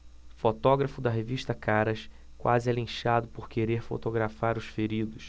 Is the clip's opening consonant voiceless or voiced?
voiceless